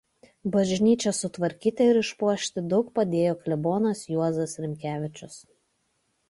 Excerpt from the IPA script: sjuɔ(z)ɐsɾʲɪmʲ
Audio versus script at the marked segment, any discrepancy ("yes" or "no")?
no